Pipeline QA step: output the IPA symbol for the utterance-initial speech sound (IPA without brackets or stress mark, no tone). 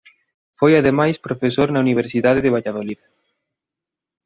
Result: f